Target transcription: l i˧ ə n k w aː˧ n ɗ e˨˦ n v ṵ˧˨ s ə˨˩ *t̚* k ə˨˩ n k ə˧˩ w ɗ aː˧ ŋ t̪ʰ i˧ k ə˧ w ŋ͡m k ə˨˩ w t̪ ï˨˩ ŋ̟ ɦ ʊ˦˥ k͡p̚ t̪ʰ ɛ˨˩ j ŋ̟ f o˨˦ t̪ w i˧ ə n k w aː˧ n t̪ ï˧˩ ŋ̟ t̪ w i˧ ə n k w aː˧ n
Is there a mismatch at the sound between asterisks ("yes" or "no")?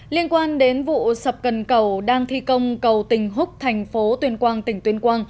yes